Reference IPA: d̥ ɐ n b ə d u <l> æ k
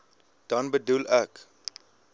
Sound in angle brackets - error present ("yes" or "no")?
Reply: no